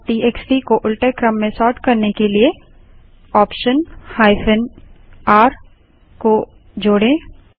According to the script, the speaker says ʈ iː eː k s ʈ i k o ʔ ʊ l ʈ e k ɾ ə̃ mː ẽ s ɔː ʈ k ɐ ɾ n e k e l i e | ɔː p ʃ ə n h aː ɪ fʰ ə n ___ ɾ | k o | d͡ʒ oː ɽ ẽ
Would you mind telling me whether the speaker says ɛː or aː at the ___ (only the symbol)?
aː